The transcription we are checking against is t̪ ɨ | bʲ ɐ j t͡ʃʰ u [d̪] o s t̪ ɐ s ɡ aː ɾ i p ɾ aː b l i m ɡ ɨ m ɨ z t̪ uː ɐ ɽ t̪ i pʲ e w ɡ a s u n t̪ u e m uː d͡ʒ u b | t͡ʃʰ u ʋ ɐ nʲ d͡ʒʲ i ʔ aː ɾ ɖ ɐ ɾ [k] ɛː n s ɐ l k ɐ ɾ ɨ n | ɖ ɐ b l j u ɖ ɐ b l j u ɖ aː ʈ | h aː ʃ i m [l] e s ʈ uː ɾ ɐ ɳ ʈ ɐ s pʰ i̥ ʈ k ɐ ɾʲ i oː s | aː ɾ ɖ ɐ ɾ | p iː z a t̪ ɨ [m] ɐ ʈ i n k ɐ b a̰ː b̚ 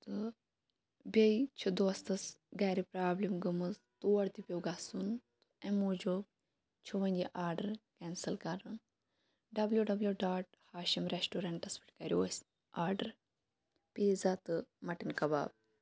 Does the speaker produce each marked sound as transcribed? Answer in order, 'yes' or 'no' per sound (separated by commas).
yes, yes, no, yes